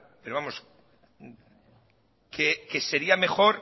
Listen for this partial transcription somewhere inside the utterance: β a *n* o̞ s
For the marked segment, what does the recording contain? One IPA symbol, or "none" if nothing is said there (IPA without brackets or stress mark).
m